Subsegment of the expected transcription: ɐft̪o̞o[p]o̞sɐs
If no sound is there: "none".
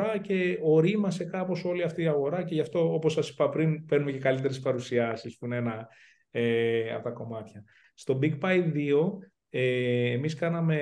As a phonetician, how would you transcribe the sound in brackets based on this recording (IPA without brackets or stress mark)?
p